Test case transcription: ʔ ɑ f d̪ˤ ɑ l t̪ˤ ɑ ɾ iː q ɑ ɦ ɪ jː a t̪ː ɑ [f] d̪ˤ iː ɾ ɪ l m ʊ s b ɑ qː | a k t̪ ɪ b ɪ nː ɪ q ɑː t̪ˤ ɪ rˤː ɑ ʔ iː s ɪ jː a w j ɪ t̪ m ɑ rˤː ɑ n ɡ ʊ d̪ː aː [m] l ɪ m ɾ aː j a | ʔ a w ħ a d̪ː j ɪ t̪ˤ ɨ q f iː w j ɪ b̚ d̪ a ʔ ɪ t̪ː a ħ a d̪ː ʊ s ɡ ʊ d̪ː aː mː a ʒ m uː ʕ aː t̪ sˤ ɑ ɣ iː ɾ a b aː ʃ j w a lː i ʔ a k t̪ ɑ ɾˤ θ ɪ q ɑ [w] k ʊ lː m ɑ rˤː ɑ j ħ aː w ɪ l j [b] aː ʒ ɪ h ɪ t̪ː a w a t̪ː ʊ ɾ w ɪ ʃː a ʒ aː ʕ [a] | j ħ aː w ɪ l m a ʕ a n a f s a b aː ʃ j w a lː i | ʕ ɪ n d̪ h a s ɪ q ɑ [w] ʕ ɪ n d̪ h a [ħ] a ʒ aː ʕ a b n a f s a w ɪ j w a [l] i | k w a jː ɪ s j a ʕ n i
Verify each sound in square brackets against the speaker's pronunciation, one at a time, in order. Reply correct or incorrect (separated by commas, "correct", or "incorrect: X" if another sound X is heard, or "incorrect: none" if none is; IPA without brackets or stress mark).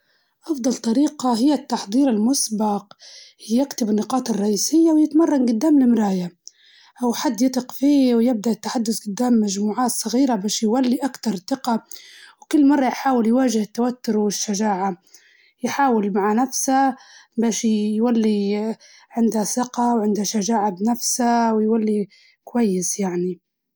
incorrect: ħ, correct, correct, incorrect: w, correct, correct, incorrect: ʃ, incorrect: lː